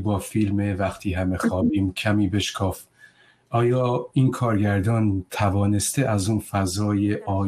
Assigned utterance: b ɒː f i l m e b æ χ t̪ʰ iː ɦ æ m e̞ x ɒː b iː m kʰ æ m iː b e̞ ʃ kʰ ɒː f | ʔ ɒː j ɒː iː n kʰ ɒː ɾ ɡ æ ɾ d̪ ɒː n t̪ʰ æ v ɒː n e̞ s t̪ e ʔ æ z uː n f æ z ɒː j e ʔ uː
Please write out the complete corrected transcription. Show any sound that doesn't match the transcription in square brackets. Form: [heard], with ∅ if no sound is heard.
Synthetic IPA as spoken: b ɒː f i l m e [v] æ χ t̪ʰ iː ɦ æ m e̞ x ɒː b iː m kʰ æ m iː b e̞ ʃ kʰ ɒː f | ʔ ɒː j ɒː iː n kʰ ɒː ɾ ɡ æ ɾ d̪ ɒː n t̪ʰ æ v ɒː n e̞ s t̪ e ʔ æ z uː n f æ z ɒː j e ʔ [ɒː]